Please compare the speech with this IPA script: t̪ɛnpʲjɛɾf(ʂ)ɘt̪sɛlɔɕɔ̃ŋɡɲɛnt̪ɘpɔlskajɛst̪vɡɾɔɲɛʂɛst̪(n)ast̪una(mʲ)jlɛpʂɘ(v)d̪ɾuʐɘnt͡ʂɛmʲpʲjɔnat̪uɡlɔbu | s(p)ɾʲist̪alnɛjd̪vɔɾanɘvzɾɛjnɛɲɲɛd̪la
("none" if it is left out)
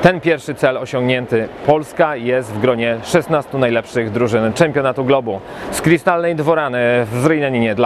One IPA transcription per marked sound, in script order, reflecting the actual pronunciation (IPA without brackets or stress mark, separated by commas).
ʂ, n, none, ɣ, k